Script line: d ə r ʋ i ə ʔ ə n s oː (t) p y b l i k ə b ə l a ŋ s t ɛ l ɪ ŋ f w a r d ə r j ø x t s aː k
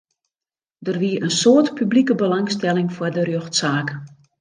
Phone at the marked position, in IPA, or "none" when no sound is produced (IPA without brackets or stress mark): t